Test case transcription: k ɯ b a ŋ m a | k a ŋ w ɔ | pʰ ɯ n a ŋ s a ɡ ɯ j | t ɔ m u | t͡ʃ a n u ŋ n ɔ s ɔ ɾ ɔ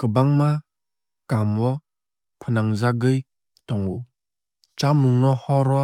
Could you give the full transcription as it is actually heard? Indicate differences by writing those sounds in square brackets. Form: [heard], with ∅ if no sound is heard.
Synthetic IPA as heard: k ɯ b a ŋ m a | k a [m] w ɔ | pʰ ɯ n a ŋ [z] a ɡ ɯ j | t ɔ [ŋ] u | t͡ʃ a [m] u ŋ n ɔ [h] ɔ ɾ ɔ